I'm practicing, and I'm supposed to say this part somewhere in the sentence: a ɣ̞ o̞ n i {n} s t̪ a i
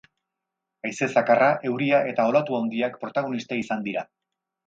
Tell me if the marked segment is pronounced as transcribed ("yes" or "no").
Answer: no